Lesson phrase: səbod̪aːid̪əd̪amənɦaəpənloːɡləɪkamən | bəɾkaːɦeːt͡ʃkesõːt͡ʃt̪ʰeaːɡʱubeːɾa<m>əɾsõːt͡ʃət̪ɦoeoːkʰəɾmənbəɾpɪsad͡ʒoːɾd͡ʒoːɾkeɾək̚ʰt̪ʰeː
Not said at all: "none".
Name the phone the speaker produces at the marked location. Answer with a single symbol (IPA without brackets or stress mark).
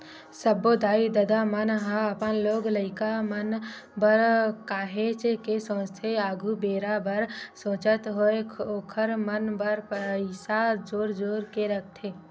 b